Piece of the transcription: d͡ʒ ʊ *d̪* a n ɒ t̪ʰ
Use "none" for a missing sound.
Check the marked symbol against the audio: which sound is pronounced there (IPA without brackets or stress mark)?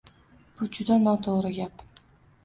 d̪